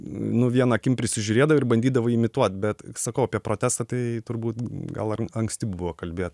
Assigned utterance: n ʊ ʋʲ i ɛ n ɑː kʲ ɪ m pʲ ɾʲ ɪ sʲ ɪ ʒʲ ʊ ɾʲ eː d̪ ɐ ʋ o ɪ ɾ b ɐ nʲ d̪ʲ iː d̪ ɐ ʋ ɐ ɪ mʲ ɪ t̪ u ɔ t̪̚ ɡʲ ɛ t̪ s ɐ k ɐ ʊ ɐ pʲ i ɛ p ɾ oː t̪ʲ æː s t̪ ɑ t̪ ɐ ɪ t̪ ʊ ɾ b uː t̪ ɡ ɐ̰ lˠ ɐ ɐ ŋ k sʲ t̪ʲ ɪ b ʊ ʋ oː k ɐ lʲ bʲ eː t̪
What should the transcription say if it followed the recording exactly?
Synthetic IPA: n ʊ ʋʲ i ɛ n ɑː kʲ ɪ m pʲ ɾʲ ɪ sʲ ɪ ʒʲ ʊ ɾʲ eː d̪ ɐ ʋ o ɪ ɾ b ɐ nʲ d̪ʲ iː d̪ ɐ ʋ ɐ ɪ mʲ ɪ t̪ u ɔ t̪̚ bʲ ɛ t̪ s ɐ k ɐ ʊ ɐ pʲ i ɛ p ɾ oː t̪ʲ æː s t̪ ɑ t̪ ɐ ɪ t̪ ʊ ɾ b uː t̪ ɡ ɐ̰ lˠ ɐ ɐ ŋ k sʲ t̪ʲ ɪ b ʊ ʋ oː k ɐ lʲ bʲ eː t̪